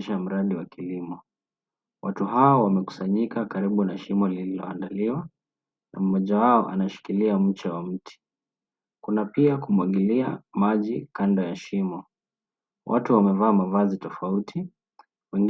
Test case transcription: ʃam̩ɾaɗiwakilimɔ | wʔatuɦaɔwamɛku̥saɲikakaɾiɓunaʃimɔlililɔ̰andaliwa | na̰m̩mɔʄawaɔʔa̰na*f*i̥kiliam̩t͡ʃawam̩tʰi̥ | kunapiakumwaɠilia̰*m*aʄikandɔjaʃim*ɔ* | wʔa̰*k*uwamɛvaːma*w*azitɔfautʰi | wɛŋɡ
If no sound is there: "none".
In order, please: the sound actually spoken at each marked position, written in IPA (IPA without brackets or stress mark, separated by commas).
ʃ, m, ɔ, t, v